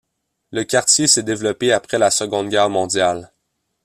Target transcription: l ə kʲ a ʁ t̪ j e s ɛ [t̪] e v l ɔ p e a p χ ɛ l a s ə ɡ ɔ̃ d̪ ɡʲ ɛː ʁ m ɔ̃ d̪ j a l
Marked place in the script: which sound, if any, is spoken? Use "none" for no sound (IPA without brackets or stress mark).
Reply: d̪